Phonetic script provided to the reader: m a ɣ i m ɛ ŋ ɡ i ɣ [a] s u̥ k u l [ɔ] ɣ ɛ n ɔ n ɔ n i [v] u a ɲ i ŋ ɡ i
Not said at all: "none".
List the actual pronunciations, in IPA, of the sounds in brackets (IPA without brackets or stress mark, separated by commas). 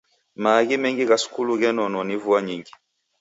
a, u, v